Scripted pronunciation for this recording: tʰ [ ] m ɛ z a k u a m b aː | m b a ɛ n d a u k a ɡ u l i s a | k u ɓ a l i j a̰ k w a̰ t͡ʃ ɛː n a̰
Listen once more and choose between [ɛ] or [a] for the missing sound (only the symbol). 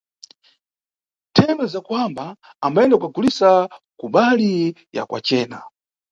ɛ